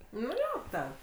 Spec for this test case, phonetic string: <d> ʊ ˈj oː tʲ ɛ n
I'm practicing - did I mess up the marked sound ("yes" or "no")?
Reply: yes